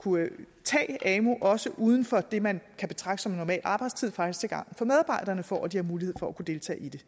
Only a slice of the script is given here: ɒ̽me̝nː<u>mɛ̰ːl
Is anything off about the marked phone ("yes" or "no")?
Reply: yes